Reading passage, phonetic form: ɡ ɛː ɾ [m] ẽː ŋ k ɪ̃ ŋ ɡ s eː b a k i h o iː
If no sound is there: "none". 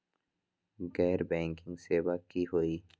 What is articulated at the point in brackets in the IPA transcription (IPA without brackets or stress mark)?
b